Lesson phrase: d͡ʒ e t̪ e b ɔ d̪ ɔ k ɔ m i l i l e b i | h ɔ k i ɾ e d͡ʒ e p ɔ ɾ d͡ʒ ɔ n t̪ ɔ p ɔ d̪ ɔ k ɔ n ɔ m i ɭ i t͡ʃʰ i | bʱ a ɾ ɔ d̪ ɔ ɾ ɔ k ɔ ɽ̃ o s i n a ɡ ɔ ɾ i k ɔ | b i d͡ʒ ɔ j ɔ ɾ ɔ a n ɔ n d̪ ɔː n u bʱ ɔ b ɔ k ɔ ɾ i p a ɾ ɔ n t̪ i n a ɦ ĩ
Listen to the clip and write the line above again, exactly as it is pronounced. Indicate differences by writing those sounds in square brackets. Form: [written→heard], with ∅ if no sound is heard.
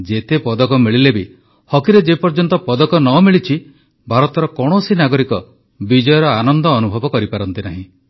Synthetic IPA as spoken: d͡ʒ e t̪ e [b→p] ɔ d̪ ɔ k ɔ m i [l→ɭ] i l e b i | h ɔ k i ɾ e d͡ʒ e p ɔ ɾ d͡ʒ ɔ n t̪ ɔ p ɔ d̪ ɔ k ɔ n ɔ m i ɭ i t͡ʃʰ i | bʱ a ɾ ɔ [d̪→t̪] ɔ ɾ ɔ k ɔ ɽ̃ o s i n a ɡ ɔ ɾ i k ɔ | b i d͡ʒ ɔ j ɔ ɾ ɔ a n ɔ n d̪ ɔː n u bʱ ɔ b ɔ k ɔ ɾ i p a ɾ ɔ n t̪ i n a ɦ ĩ